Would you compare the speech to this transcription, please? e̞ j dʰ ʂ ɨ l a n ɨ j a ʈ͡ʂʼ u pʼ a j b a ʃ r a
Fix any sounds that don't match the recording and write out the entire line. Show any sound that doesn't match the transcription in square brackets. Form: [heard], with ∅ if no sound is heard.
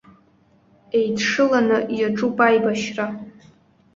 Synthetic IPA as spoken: e̞ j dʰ ʂ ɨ l a n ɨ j a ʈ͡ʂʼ u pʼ a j b a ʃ r a